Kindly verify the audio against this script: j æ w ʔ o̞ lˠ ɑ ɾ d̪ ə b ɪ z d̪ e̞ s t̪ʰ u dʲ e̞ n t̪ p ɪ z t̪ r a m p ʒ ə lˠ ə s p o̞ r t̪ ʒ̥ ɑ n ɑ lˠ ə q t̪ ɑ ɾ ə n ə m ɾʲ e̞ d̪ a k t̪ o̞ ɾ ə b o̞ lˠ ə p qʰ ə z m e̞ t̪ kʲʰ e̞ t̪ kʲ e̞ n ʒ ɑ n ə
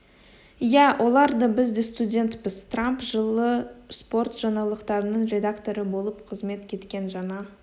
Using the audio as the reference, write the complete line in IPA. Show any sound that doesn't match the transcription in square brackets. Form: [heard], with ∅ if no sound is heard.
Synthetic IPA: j æ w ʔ o̞ lˠ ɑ ɾ d̪ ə b ɪ z d̪ e̞ s [t̪] u dʲ e̞ n t̪ p ɪ z t̪ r a m p ʒ ə lˠ ə s p o̞ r t̪ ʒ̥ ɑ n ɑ lˠ ə q t̪ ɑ ɾ ə n ə [ɴ] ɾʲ e̞ d̪ a k t̪ o̞ ɾ ə b o̞ lˠ ə p qʰ ə z m e̞ t̪ kʲʰ e̞ t̪ kʲ e̞ n ʒ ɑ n [ɑ]

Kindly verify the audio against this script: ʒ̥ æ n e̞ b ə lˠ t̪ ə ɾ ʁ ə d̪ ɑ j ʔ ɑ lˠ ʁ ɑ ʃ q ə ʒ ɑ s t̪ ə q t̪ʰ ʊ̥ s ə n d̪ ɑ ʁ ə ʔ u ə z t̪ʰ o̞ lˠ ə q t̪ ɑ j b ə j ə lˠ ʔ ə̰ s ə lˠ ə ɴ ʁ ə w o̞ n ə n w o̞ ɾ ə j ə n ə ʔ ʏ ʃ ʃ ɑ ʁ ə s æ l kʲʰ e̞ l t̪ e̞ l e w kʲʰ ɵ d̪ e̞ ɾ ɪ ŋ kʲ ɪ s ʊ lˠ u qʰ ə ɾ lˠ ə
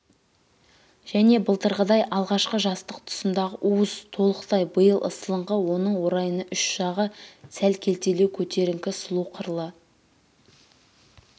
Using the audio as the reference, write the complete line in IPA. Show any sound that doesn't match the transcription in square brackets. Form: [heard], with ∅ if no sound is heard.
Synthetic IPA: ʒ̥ æ n e̞ b ə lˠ t̪ ə ɾ ʁ ə d̪ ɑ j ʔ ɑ lˠ ʁ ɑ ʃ q ə ʒ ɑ s t̪ ə q t̪ʰ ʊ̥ s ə n d̪ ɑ ʁ ə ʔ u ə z t̪ʰ o̞ lˠ ə q t̪ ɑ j b ə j ə lˠ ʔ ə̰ s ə lˠ ə ɴ ʁ ə w o̞ n ə [ɴ] w o̞ ɾ [ɑ] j ə n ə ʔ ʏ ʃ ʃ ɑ ʁ ə s æ l kʲʰ e̞ l t̪ e̞ l e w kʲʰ ɵ [t̪] e̞ ɾ ɪ ŋ kʲ ɪ s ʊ lˠ u qʰ ə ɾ lˠ ə

